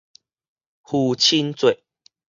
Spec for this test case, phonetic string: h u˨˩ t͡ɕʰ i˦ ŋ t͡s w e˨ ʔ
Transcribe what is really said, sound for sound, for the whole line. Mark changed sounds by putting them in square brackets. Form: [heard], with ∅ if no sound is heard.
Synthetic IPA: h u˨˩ t͡ɕʰ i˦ [n] t͡s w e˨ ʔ

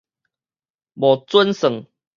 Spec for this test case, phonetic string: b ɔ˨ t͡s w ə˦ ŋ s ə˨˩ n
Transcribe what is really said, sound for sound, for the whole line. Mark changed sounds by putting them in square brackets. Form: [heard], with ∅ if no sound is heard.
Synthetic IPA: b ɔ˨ t͡s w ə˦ [n] s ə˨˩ [ŋ]

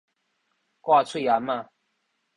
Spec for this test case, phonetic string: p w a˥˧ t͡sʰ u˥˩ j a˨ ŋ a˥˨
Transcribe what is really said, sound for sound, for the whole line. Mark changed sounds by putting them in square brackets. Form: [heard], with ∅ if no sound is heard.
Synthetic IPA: [k] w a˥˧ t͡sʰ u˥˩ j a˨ [m] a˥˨

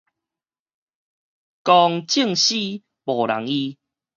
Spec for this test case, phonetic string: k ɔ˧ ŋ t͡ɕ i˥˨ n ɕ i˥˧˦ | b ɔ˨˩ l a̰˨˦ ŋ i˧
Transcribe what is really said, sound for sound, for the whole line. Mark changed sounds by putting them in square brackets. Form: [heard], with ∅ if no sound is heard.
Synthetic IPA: k ɔ˧ ŋ t͡ɕ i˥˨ [ŋ] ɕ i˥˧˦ | b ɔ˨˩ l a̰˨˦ ŋ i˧

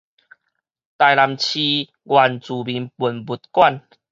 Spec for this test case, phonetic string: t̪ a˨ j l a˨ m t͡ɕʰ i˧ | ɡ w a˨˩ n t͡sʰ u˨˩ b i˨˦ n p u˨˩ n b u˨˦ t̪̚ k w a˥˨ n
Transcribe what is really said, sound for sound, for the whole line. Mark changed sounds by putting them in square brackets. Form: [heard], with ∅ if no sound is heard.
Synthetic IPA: t̪ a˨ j l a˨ m t͡ɕʰ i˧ | ɡ w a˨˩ n [t͡s] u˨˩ b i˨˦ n p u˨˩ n b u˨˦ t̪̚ k w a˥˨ n

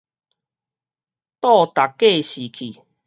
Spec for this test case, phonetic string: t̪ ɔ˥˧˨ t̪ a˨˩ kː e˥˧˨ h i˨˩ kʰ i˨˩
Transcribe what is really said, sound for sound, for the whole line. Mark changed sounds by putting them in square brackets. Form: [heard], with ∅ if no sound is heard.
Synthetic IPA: t̪ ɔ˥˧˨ t̪ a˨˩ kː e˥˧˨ [ɕ] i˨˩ kʰ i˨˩

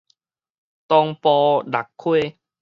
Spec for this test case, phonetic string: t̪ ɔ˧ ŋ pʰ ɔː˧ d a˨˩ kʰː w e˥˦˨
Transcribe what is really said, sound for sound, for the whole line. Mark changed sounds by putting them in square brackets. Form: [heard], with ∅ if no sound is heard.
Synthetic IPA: t̪ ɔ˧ ŋ [p] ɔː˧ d a˨˩ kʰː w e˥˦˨

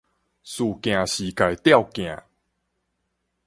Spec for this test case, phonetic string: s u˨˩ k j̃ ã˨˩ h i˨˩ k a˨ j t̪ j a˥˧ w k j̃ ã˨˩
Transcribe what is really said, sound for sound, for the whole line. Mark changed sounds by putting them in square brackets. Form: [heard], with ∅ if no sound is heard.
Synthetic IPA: s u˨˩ k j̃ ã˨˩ [ɕ] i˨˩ k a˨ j t̪ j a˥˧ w k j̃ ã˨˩

